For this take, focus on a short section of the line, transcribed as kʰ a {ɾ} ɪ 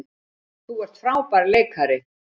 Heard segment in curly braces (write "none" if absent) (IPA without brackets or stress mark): ɾ